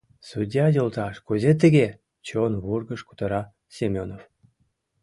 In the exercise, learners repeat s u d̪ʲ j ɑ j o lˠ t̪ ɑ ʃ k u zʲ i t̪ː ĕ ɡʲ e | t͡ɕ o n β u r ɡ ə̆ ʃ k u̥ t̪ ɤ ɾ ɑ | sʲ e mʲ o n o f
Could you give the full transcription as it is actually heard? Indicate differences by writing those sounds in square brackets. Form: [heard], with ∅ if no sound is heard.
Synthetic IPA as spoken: s u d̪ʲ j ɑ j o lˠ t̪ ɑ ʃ k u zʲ [e] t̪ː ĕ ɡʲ e | t͡ɕ o n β u r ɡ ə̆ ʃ k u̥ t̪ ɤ ɾ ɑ | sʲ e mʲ o n o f

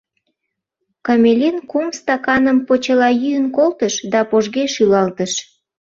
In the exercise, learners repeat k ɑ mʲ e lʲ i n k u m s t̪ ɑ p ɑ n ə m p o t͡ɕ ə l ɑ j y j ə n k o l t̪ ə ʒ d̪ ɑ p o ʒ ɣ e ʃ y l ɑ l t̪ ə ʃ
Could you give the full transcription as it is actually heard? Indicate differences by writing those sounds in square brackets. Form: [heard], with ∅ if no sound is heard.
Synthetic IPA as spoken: k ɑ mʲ e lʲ i n k u m s t̪ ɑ [k] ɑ n ə m p o t͡ɕ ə l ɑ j y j ə n k o l t̪ ə [ʃ] d̪ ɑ p o ʒ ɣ e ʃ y l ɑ l t̪ ə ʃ

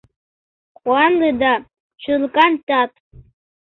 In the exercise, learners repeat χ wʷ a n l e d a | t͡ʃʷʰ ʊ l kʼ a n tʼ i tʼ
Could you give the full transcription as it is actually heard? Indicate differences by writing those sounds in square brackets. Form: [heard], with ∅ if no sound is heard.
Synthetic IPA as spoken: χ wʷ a n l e d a | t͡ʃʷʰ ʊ l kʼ a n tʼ [a] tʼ

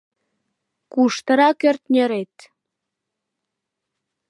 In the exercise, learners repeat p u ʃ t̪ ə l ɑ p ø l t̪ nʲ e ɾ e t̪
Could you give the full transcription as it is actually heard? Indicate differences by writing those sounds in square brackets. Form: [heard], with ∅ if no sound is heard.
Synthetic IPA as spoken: [k] u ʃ t̪ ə [ɾ] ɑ [k] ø [r] t̪ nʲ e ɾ e t̪

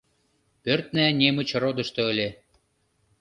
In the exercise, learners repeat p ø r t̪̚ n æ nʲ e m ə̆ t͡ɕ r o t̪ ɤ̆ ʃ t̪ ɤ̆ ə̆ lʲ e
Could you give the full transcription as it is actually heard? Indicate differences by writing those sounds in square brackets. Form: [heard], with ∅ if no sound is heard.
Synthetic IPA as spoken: p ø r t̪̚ n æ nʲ e m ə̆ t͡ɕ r o [d̪] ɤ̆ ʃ t̪ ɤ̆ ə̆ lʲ e

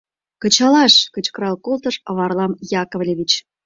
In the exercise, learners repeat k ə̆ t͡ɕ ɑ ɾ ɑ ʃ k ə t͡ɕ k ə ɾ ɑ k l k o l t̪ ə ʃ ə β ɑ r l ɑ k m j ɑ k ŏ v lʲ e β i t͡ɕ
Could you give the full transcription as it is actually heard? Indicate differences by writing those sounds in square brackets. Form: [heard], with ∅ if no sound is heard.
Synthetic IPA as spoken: k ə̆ t͡ɕ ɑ [l] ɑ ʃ k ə t͡ɕ k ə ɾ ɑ [∅] l k o l t̪ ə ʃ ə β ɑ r l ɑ [∅] m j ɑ k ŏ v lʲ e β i t͡ɕ

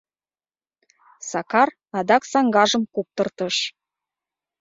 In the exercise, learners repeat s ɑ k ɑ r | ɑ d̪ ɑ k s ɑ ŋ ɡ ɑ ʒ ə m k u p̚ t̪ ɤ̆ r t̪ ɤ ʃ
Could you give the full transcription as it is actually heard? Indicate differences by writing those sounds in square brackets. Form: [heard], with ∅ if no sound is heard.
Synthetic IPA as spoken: s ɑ k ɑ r | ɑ d̪ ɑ k s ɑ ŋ ɡ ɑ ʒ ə m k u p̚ t̪ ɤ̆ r t̪ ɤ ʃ

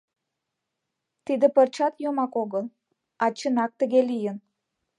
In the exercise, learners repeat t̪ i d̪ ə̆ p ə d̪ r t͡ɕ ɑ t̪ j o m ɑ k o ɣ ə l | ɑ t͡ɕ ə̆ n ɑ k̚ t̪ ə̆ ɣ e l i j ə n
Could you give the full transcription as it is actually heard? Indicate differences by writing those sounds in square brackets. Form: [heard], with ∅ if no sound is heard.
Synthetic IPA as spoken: t̪ i d̪ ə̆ p ə [∅] r t͡ɕ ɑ t̪ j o m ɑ k o ɣ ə l | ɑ t͡ɕ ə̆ n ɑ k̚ t̪ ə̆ ɣ e l i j ə n

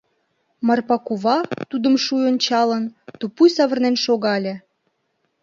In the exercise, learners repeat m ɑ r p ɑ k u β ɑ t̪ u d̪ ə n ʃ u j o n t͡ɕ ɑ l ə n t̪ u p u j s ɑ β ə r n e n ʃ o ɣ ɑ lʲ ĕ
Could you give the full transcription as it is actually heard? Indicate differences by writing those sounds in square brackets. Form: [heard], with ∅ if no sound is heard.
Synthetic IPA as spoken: m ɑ r p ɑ k u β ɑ t̪ u d̪ ə [m] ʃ u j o n t͡ɕ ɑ l ə n t̪ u p u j s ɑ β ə r n e n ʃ o ɣ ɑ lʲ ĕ

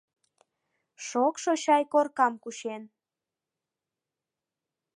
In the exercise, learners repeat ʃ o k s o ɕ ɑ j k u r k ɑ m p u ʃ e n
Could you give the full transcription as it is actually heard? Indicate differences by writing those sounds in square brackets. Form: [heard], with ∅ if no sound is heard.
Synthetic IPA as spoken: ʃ o k [ʃ] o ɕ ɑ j k [o] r k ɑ m [k] u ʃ e n

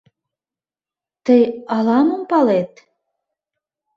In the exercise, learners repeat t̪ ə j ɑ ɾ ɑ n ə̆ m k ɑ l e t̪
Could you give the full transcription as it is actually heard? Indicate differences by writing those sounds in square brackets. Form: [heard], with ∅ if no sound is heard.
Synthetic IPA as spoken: t̪ ə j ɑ [l] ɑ [m] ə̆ m [p] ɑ l e t̪

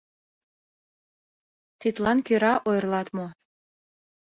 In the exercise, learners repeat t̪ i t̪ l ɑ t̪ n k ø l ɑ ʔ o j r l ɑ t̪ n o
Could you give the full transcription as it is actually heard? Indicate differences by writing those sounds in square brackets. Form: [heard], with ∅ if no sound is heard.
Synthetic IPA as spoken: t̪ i t̪ l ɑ [∅] n k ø [ɾ] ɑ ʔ o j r l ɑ t̪ [m] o

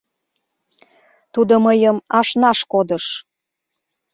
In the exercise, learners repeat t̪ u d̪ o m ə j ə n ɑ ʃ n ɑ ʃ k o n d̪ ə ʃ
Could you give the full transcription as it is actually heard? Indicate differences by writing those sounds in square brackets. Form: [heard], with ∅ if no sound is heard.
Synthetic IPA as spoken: t̪ u d̪ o m ə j ə [m] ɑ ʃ n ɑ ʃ k o [∅] d̪ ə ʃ

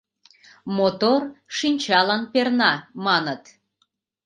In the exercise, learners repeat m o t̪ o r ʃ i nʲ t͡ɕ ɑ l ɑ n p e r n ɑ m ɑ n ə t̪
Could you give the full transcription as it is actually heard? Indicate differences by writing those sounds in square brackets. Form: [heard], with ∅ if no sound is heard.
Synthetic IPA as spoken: m o t̪ o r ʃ i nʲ t͡ɕ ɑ l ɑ n p e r n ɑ m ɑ n ə t̪

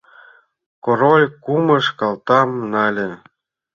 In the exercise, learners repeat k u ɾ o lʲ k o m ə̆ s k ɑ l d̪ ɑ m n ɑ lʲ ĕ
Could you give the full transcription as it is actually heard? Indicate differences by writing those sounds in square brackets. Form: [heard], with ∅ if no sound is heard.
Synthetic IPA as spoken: k [o] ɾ o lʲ k [u] m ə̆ [ʃ] k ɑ l [t̪] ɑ m n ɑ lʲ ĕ

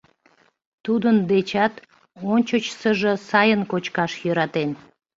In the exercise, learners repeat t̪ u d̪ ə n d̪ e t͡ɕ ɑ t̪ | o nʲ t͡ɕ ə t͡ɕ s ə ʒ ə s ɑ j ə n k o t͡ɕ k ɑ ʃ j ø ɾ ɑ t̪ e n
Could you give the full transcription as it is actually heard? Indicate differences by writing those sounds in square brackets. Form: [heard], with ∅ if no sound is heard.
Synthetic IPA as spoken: t̪ u d̪ ə n d̪ e t͡ɕ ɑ t̪ | o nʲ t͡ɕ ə t͡ɕ s ə ʒ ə s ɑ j ə n k o t͡ɕ k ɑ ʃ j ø ɾ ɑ t̪ e n

